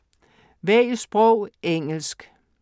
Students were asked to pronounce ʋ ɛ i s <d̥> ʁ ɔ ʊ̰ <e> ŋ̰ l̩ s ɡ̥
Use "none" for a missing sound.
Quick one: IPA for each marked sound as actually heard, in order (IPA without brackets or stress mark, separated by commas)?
b̥, e